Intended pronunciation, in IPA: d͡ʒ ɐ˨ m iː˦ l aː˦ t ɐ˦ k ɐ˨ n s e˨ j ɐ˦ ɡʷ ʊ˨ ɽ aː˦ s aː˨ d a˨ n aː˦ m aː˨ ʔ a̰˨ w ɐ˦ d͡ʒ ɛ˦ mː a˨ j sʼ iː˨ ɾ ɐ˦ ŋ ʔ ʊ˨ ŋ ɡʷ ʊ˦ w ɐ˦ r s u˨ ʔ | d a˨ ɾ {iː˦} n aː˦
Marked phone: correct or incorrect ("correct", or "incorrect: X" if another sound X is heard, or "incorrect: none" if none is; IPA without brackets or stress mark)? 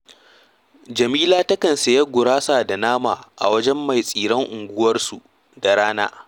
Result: incorrect: aː˦